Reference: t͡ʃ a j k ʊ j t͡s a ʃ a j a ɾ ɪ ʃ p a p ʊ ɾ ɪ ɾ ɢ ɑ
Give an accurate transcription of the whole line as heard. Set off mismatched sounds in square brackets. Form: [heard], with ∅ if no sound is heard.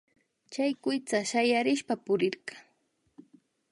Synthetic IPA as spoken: t͡ʃ a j k ʊ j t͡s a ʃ a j a ɾ ɪ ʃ p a p ʊ ɾ ɪ ɾ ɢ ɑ